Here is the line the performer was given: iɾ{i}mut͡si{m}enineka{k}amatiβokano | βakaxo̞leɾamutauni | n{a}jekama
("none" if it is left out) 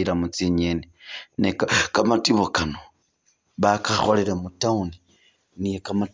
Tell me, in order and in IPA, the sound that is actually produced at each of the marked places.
a, ɲ, k, i

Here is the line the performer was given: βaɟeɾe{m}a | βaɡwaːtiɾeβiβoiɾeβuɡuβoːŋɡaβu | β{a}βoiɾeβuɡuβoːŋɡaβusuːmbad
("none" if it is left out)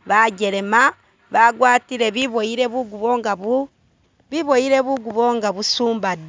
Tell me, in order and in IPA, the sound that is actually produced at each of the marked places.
m, i

